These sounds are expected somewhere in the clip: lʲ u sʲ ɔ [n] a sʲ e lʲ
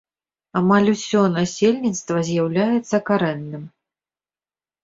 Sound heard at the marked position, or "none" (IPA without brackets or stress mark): n